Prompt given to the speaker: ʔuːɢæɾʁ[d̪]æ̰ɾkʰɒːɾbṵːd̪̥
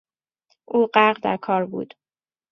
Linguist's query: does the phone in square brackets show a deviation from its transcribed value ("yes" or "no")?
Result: no